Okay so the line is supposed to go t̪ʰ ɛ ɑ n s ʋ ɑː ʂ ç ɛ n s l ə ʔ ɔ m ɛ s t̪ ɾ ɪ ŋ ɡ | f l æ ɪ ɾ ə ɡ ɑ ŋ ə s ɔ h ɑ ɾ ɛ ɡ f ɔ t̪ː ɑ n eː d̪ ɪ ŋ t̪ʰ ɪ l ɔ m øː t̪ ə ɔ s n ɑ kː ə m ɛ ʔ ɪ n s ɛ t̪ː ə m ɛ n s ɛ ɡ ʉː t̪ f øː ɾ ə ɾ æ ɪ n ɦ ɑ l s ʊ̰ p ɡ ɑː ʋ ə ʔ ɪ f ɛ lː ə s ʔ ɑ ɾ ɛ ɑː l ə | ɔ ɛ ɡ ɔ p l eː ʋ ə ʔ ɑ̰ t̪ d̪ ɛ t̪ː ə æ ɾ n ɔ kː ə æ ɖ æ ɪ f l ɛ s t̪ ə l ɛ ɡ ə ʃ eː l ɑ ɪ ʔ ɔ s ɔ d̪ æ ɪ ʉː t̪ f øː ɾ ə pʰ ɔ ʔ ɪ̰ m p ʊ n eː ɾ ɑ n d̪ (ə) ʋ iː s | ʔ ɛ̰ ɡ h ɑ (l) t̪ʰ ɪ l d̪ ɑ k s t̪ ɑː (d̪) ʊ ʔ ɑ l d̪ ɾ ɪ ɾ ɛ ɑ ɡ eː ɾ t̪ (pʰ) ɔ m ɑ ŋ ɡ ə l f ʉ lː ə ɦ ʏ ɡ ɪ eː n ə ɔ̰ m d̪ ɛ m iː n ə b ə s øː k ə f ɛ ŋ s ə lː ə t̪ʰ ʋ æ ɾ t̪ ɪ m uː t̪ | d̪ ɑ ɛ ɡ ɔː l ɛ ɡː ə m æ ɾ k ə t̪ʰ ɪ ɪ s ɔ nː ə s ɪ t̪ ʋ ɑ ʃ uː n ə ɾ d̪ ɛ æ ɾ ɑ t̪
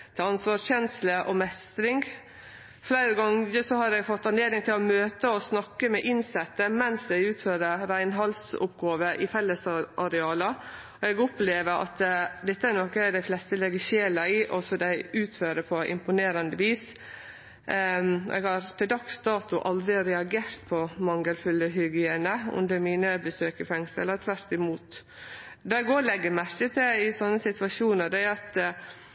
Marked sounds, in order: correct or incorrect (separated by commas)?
correct, incorrect, incorrect, correct